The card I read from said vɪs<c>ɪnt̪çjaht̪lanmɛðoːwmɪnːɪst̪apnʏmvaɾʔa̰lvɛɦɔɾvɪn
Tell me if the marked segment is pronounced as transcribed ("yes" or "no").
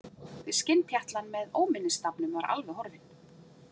yes